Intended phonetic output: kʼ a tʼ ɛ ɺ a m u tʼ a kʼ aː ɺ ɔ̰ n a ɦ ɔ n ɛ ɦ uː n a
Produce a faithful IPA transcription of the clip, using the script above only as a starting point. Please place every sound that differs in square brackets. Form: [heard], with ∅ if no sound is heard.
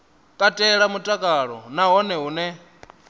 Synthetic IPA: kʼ a tʼ ɛ ɺ a m u tʼ a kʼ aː ɺ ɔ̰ n a ɦ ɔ n ɛ ɦ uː n [ɛ]